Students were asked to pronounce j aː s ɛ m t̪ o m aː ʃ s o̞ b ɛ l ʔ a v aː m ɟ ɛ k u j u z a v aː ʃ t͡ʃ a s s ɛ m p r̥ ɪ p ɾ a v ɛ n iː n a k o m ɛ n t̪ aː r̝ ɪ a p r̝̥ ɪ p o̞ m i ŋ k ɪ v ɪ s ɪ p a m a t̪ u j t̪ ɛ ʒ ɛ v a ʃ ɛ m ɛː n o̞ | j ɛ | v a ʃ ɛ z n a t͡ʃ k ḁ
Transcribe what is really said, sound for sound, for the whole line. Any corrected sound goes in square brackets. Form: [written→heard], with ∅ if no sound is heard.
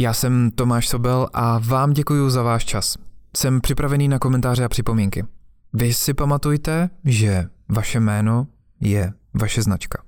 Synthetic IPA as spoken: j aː s ɛ m t̪ o m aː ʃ s o̞ b ɛ l ʔ a v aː m ɟ ɛ k u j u z a v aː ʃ t͡ʃ a s s ɛ m p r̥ ɪ p ɾ a v ɛ n iː n a k o m ɛ n t̪ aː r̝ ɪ a p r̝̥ ɪ p o̞ m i ŋ k ɪ v ɪ s ɪ p a m a t̪ u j t̪ ɛ ʒ ɛ v a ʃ ɛ m ɛː n o̞ | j ɛ | v a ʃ ɛ z n a t͡ʃ k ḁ